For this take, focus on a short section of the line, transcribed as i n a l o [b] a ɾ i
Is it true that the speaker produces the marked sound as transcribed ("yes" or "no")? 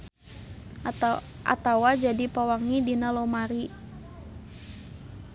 no